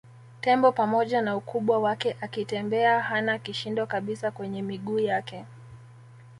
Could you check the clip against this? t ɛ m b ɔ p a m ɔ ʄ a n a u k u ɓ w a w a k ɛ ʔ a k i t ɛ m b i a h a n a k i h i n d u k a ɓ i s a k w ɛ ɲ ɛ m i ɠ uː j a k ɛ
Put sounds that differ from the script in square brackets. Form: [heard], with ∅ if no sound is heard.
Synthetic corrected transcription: t ɛ m b ɔ p a m ɔ ʄ a n a u k u ɓ w a w a k ɛ ʔ a k i t ɛ m b [ɛ] a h a n a k i [ʃ] i n d [ɔ] k a ɓ i s a k w ɛ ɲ ɛ m i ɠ uː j a k ɛ